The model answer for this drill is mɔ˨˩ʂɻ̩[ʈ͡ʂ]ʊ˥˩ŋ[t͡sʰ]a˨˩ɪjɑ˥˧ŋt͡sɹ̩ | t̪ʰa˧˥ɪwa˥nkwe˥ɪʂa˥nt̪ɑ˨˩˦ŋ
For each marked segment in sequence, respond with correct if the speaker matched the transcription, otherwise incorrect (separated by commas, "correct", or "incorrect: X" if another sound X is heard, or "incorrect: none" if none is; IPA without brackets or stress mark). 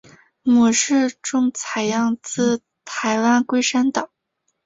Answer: correct, correct